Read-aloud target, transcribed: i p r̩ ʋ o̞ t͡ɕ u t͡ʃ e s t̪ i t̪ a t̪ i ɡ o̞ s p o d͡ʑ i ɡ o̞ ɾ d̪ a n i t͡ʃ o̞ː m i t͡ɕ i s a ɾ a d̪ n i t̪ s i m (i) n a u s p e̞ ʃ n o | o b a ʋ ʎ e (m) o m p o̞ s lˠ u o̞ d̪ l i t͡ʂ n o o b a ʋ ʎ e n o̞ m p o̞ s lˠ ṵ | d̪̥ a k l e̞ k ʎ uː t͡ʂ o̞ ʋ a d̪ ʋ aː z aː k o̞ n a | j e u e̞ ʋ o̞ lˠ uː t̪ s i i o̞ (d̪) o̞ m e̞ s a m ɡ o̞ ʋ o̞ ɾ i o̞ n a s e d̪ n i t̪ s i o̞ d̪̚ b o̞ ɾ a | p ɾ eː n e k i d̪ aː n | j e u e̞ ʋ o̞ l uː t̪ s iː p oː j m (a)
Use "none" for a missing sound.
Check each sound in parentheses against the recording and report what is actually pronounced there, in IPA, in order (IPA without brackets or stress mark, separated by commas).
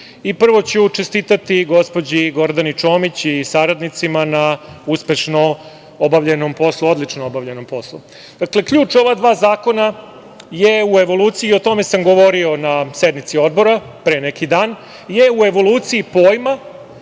a, n, t̪, a